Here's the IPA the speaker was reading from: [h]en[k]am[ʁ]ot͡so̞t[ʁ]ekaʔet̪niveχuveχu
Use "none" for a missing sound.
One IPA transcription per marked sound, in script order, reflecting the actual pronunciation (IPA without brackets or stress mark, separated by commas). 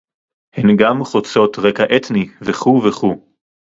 h, ɡ, χ, ʁ